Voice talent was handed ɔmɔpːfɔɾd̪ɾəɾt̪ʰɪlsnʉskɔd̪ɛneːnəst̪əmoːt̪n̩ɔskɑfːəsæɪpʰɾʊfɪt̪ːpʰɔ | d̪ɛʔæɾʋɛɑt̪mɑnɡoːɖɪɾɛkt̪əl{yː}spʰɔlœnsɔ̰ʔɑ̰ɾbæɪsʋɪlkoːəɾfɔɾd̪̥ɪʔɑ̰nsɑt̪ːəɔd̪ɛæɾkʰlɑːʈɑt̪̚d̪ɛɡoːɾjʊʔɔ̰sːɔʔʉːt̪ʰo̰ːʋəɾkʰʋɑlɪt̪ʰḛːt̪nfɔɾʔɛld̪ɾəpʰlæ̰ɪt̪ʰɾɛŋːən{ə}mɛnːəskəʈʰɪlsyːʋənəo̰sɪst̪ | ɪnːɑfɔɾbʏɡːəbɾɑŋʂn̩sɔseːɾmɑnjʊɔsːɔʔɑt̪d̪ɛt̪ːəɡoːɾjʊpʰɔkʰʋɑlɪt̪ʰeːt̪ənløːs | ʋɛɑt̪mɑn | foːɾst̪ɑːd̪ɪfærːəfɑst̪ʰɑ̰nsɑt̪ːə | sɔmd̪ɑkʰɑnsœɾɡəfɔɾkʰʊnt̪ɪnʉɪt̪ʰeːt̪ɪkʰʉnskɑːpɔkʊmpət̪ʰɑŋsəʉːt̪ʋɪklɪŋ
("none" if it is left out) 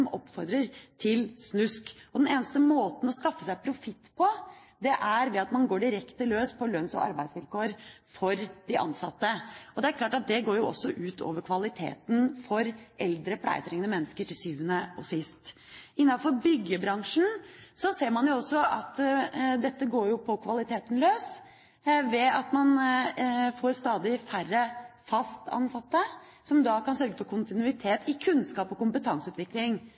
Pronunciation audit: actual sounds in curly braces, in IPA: øː, ə

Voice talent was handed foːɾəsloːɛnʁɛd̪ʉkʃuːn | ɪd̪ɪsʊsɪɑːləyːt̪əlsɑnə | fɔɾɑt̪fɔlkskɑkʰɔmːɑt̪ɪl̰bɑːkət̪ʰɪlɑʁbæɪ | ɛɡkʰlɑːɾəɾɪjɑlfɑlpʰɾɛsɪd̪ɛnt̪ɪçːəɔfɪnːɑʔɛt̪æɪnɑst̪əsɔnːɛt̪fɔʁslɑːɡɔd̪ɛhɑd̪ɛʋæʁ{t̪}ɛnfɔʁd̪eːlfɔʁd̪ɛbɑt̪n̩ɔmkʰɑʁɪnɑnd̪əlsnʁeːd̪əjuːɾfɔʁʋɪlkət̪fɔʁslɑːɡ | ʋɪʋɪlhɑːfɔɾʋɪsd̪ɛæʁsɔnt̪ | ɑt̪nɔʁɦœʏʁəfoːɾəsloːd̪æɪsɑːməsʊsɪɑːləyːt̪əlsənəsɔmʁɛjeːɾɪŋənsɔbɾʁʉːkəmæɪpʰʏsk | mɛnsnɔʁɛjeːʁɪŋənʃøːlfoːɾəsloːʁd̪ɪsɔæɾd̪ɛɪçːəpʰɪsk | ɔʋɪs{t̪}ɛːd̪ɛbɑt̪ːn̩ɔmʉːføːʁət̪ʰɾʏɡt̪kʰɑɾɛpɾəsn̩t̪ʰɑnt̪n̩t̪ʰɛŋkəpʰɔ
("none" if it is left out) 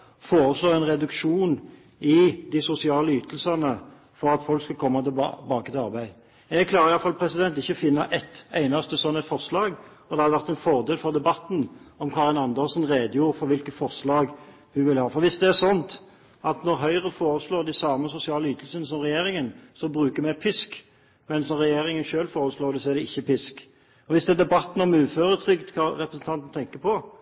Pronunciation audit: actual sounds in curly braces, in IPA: t̪, d̪

